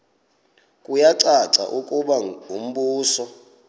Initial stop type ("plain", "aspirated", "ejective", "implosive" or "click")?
ejective